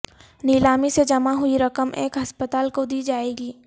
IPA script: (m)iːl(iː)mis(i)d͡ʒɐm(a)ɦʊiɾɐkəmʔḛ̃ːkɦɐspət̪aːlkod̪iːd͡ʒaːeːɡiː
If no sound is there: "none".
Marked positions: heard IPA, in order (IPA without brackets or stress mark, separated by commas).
n, aː, e, a